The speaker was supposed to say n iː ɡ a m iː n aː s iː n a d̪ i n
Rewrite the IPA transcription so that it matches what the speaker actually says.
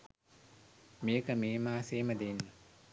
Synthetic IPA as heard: m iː k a m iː m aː s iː m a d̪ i n